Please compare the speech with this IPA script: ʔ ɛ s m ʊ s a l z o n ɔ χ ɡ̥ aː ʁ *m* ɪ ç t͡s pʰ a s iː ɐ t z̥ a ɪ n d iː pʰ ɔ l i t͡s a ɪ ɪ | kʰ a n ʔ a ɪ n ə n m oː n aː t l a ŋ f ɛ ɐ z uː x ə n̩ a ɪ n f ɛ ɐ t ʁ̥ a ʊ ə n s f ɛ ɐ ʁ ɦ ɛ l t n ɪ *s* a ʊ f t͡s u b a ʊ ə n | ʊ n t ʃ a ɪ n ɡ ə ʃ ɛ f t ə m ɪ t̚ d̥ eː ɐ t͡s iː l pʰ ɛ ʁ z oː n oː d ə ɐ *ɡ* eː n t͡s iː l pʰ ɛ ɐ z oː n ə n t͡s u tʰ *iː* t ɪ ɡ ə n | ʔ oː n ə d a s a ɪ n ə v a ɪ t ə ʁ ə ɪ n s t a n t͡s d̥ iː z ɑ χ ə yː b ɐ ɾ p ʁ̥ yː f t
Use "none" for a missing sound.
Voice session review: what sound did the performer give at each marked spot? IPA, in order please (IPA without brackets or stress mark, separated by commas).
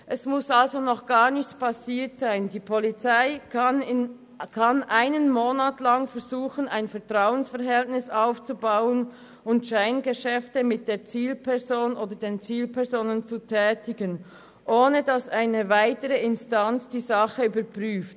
n, s, d, ɛː